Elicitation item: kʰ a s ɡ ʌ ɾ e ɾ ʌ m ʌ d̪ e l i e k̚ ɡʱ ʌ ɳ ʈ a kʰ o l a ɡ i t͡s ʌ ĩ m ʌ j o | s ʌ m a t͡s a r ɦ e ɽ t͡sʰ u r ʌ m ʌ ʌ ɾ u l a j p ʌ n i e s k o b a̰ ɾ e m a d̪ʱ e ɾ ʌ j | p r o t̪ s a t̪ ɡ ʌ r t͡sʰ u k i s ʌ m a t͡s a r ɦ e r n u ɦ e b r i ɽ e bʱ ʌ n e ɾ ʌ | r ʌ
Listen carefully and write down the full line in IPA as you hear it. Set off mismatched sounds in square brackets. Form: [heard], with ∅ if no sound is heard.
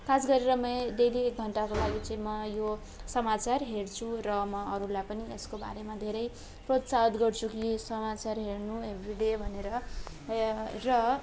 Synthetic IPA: kʰ a s ɡ ʌ ɾ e ɾ ʌ m ʌ d̪ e l i e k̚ ɡʱ ʌ ɳ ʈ a [k] o l a ɡ i t͡s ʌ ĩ m ʌ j o | s ʌ m a t͡s a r ɦ e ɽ t͡sʰ u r ʌ m ʌ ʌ ɾ u l a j p ʌ n i e s k o b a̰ ɾ e m a d̪ʱ e ɾ ʌ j | p r o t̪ s a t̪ ɡ ʌ r t͡sʰ u k i s ʌ m a t͡s a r ɦ e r n u ɦ e b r i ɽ e bʱ ʌ n e ɾ ʌ | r ʌ